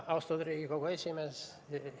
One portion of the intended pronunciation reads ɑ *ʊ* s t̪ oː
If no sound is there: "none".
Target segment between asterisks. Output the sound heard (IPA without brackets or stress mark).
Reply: ʊ